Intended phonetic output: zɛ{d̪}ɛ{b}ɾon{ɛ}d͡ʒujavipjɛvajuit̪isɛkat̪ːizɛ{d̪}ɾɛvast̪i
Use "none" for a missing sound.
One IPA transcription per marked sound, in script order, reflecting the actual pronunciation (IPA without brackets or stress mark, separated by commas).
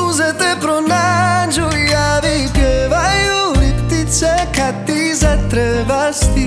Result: t̪, p, a, t̪